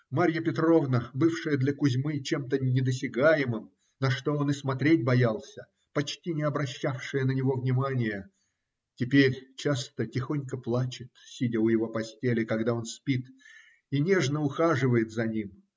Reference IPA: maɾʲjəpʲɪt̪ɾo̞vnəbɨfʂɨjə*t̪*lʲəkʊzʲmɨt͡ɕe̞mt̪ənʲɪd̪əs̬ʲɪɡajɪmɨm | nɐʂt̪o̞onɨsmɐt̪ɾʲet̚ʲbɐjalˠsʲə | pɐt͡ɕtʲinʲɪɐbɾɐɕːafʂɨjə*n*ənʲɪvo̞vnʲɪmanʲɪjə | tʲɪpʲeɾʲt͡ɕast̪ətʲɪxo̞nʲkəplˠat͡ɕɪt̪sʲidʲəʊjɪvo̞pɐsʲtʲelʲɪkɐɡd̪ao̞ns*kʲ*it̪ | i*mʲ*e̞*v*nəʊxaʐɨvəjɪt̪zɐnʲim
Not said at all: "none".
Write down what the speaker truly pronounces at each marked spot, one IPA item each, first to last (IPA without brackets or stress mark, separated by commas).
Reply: d̪, n, pʲ, nʲ, ʐ